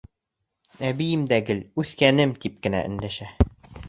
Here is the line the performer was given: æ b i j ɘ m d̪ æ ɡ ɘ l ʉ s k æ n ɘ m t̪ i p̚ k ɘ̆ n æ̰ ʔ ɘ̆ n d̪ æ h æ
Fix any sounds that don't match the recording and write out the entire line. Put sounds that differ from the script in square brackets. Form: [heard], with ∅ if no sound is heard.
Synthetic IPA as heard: æ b i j ɘ m d̪ æ ɡ ɘ l ʉ [θ] k æ n ɘ m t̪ i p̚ k ɘ̆ n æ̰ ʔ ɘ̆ n d̪ æ [ʃ] æ